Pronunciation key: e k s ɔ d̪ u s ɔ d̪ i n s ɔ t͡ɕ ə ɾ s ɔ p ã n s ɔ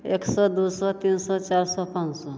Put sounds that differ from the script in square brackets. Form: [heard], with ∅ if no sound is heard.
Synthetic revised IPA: e k s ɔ d̪ u s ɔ [t̪] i n s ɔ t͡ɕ [a] ɾ s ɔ p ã n s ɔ